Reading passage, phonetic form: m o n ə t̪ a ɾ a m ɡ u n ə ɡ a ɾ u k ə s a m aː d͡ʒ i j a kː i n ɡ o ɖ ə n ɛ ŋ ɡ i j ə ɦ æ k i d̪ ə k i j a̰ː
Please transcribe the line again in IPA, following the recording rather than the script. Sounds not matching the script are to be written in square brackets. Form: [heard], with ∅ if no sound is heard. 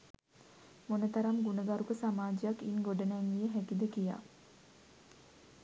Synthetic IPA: m o n ə t̪ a ɾ a m ɡ u n ə ɡ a ɾ u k ə s a m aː d͡ʒ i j a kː i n ɡ o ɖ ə n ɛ ŋ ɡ i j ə ɦ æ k i d̪ ə k i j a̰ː

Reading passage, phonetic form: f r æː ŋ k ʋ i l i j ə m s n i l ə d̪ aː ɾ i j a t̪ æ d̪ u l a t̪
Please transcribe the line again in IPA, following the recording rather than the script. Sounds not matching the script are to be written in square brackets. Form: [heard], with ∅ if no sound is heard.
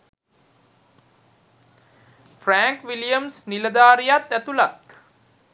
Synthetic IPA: f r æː ŋ k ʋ i l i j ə m s n i l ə d̪ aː ɾ i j a t̪ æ [t̪] u l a t̪

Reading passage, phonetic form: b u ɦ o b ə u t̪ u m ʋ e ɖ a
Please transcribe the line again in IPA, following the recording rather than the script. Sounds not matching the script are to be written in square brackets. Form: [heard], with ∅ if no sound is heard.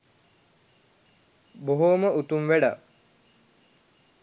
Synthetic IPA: b [o] ɦ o [m] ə u t̪ u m ʋ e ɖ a

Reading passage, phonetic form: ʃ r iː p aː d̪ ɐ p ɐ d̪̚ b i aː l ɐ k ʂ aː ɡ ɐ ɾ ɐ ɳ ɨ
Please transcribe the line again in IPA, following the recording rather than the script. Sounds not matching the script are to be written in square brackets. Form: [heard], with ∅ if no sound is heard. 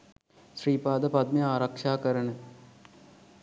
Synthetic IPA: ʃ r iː p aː d̪ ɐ p ɐ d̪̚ [m] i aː [ɾ] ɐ k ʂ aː [k] ɐ ɾ ɐ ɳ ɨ

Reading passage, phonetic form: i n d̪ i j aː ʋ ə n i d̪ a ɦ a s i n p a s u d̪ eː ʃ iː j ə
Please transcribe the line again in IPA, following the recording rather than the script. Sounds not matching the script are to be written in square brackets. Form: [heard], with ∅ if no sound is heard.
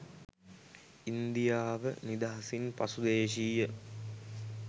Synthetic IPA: i n d̪ i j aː ʋ ə n i d̪ a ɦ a s i n p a s u d̪ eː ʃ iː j ə

